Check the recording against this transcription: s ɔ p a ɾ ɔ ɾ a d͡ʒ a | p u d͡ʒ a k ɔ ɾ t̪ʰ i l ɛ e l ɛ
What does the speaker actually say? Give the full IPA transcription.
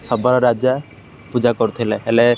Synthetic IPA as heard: s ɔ b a ɾ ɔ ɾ a d͡ʒ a | p u d͡ʒ a k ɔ ɾ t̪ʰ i l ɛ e l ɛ